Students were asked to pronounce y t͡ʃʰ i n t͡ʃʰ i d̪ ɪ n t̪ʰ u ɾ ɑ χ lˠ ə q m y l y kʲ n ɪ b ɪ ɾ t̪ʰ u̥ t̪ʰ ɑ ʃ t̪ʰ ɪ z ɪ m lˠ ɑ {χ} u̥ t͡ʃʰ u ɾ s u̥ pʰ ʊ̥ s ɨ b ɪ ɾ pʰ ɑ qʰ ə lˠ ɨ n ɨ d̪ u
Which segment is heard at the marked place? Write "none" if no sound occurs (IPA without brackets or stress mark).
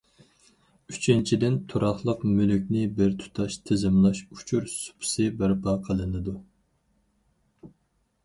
ʃ